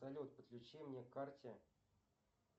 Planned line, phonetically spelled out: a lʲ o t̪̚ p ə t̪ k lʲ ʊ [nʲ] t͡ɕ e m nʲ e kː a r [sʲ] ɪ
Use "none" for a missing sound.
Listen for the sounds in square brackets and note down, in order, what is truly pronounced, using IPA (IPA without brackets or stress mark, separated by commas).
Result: none, tʲ